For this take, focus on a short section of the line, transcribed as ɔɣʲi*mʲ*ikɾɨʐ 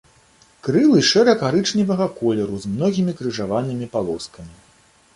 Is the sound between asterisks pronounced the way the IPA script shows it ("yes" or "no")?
yes